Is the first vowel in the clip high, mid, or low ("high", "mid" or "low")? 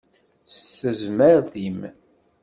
mid